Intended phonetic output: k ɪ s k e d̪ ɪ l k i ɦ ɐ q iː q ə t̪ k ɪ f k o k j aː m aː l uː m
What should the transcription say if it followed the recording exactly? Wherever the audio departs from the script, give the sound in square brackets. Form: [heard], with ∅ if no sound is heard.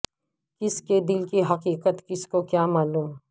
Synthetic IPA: k ɪ s k e d̪ ɪ l k i ɦ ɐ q iː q ə t̪ k ɪ [s] k o k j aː m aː l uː m

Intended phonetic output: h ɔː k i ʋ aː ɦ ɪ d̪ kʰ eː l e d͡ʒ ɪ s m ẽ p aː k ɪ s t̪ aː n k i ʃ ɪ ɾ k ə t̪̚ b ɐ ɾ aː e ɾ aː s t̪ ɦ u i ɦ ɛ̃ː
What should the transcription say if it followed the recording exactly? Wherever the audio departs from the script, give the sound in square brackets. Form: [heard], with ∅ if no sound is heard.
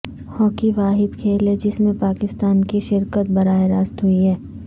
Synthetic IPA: h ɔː k i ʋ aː ɦ ɪ d̪ kʰ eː l e d͡ʒ ɪ s m ẽ p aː k ɪ s t̪ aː n k i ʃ ɪ ɾ k ə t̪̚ b ɐ ɾ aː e ɾ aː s t̪ ɦ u i ɦ [ɛː]

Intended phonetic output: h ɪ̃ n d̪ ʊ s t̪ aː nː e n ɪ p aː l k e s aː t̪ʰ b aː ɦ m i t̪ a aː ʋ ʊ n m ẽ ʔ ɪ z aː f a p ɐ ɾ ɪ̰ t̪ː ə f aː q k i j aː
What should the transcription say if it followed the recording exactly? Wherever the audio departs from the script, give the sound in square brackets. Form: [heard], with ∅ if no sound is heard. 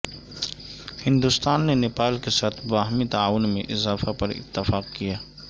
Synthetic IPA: h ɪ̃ n d̪ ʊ s t̪ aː nː e n ɪ p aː l k e s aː t̪ʰ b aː ɦ m i t̪ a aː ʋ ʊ n m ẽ ʔ ɪ z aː f a p ɐ ɾ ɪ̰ t̪ː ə f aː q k i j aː

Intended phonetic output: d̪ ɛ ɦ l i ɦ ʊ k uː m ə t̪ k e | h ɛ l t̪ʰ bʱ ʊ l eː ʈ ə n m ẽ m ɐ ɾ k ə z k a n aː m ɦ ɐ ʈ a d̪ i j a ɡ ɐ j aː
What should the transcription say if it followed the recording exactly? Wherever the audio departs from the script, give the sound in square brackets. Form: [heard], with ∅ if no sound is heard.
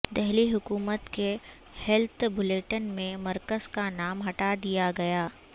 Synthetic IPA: d̪ ɛ ɦ l i ɦ ʊ k uː m ə t̪ k e | h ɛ l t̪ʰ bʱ ʊ l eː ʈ ə n m ẽ m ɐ ɾ k ə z k a n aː m ɦ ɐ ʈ a d̪ i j a ɡ ɐ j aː

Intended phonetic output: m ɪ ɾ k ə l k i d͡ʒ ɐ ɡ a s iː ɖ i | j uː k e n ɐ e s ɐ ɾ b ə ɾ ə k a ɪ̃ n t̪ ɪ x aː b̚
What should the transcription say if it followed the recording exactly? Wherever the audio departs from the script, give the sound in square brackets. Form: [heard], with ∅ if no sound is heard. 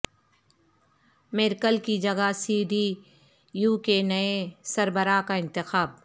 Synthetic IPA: m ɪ ɾ k ə l k i d͡ʒ ɐ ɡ a s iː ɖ i | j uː k e n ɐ e s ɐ ɾ b ə ɾ [a] k a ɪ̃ n t̪ ɪ x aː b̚

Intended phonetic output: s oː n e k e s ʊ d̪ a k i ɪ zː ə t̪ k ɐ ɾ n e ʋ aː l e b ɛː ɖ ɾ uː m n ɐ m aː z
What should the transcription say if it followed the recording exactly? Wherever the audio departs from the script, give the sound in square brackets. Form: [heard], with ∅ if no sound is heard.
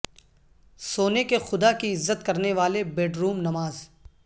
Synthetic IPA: s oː n e k e [x] ʊ d̪ a k i ɪ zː ə t̪ k ɐ ɾ n e ʋ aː l e b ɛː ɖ ɾ uː m n ɐ m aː z

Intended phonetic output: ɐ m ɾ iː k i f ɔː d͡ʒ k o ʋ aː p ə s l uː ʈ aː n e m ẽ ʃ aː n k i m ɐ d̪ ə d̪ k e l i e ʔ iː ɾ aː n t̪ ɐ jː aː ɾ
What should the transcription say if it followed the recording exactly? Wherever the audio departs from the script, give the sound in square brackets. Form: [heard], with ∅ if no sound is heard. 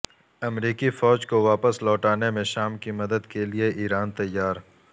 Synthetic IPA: ɐ m ɾ iː k i f ɔː d͡ʒ k o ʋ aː p ə s l [ɔː] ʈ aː n e m ẽ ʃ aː [m] k i m ɐ d̪ ə d̪ k e l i e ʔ iː ɾ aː n t̪ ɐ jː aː ɾ

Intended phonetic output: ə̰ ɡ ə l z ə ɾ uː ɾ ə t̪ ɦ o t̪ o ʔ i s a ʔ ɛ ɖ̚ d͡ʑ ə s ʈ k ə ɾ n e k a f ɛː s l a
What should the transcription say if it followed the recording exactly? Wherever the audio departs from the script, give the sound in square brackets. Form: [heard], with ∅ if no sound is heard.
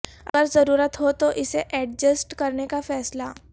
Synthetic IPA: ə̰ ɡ ə [ɾ] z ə ɾ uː ɾ ə t̪ ɦ o t̪ o ʔ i s [e] ʔ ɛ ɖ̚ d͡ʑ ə s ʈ k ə ɾ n e k a f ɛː s l a

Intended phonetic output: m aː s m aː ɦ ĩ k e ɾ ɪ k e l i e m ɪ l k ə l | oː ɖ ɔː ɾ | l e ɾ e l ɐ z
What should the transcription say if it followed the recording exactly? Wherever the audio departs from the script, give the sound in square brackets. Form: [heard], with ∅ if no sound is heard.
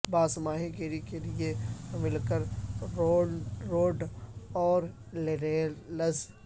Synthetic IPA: [b] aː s m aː ɦ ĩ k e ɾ [i] k e l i e m ɪ l k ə [ɾ] | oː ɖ ɔː ɾ | l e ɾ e l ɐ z

